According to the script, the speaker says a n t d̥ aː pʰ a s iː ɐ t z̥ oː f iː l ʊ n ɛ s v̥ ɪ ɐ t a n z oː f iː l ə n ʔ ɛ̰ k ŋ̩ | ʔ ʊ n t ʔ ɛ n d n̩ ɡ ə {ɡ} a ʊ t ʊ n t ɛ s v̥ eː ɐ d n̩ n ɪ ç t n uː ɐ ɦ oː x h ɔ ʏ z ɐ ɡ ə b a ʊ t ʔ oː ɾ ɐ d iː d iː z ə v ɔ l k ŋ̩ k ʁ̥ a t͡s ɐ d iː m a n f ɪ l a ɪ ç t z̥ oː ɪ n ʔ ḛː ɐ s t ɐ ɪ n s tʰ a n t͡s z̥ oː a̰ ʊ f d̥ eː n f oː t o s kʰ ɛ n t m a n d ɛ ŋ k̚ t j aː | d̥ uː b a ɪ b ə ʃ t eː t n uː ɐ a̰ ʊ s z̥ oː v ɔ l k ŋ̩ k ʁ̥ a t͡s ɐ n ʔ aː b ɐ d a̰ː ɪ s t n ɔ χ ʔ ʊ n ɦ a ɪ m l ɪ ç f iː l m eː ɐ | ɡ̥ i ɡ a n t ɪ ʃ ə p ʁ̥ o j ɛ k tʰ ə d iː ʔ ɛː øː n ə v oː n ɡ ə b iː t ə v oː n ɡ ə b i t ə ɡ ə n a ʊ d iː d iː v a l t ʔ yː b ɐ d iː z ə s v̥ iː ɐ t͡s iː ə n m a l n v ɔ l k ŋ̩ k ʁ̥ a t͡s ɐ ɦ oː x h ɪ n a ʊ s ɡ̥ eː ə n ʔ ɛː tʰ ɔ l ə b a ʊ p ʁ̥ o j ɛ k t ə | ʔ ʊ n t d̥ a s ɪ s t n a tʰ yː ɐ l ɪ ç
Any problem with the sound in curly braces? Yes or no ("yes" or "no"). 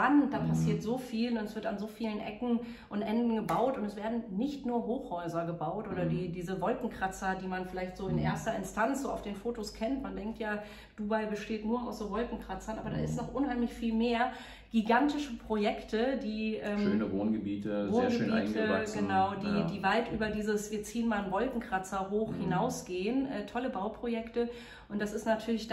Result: yes